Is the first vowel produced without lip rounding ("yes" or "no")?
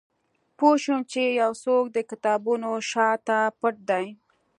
no